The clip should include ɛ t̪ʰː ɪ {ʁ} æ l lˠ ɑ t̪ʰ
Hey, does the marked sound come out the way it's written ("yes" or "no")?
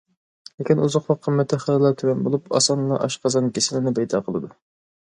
no